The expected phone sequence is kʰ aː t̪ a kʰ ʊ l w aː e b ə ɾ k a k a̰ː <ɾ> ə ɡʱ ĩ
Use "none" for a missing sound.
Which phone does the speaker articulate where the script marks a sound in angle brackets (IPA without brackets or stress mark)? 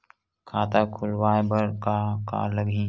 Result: l